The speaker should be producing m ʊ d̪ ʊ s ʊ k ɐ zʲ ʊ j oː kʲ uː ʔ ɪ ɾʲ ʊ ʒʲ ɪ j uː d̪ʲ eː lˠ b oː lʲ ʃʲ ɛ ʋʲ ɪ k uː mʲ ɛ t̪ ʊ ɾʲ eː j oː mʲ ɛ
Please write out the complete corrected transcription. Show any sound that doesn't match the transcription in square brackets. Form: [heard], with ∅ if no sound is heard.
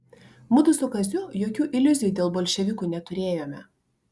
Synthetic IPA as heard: m ʊ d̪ ʊ s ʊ k ɐ zʲ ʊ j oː kʲ uː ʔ ɪ [lʲ] ʊ [zʲ] ɪ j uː d̪ʲ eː lˠ b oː lʲ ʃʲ ɛ ʋʲ ɪ k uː [nʲ] ɛ t̪ ʊ ɾʲ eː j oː mʲ ɛ